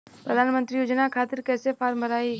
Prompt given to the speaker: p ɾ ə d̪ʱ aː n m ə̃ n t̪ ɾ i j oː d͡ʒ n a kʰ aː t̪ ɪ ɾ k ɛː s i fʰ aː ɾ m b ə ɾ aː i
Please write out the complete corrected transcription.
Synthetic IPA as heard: p ɾ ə d̪ʱ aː n m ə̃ n t̪ ɾ i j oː d͡ʒ n a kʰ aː t̪ ɪ ɾ k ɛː s e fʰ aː ɾ m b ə ɾ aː i